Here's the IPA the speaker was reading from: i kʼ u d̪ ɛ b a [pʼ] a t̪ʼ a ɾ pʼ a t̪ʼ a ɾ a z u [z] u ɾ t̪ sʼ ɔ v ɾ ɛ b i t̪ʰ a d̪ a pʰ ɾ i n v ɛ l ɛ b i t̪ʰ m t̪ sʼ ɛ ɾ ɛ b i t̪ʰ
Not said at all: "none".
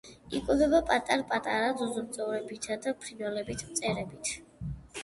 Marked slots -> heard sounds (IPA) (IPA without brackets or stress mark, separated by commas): pʼ, z